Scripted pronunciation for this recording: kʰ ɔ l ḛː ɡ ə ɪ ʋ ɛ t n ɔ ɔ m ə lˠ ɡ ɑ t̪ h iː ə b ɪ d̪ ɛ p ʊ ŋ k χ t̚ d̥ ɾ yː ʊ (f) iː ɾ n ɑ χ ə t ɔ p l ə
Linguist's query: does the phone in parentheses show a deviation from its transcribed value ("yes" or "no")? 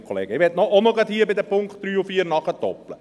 no